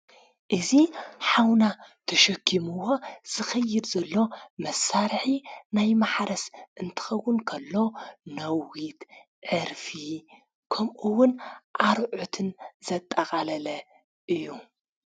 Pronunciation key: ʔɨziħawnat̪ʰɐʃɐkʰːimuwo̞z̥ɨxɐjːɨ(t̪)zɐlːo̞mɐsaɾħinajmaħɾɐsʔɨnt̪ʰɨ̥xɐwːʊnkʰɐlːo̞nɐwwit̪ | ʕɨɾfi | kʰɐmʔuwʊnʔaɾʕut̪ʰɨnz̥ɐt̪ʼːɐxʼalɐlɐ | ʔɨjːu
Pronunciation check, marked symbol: incorrect: d̪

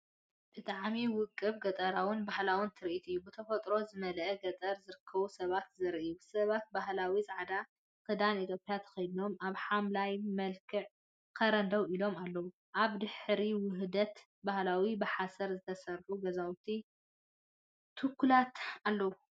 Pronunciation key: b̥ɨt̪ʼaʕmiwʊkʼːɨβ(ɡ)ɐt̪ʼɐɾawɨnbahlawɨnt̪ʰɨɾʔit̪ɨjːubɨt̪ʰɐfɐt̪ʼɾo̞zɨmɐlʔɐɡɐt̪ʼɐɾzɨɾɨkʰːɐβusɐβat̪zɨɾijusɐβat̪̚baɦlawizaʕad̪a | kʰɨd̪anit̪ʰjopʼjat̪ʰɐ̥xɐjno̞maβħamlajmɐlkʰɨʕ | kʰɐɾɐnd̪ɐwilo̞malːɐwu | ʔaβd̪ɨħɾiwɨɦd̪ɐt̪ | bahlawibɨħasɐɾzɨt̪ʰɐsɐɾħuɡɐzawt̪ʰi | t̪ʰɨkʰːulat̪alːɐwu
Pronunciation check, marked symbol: correct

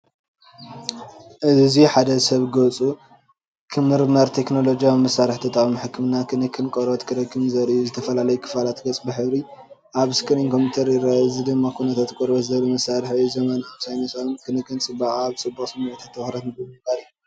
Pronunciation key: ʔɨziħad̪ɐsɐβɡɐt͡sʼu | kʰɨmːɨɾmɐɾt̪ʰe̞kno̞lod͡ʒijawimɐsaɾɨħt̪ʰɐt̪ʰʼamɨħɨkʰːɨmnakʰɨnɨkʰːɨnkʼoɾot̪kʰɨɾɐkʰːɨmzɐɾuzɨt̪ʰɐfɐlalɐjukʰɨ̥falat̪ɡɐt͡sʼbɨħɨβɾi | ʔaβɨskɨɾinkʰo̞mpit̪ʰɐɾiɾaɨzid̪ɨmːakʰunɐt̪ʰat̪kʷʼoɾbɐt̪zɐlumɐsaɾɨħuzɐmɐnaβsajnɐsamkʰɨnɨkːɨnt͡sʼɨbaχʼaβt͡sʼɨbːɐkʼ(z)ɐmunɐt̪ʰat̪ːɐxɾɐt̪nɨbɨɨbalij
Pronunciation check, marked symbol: incorrect: s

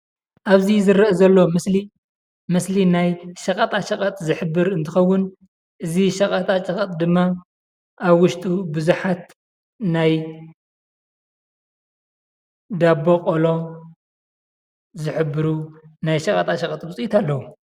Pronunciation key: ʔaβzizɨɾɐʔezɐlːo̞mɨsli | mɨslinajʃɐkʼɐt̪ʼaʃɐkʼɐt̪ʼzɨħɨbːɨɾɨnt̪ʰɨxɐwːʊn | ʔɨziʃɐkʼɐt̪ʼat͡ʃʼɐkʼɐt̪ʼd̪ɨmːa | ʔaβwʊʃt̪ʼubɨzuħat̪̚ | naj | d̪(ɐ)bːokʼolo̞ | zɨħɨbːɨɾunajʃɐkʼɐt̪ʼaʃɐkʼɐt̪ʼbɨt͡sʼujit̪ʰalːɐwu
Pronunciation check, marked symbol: incorrect: a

